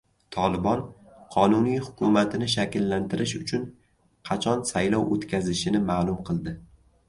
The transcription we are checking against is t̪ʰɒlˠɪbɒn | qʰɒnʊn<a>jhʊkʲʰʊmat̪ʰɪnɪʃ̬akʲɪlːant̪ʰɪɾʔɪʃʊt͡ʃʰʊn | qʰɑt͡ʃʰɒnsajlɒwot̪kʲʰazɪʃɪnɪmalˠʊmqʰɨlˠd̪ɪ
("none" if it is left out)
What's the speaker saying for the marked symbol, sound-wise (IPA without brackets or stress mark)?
i